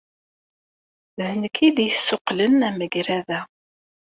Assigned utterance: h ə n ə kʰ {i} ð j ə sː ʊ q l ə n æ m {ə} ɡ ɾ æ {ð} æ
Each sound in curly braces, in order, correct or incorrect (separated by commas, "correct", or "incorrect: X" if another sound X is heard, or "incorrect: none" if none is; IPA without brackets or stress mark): correct, correct, correct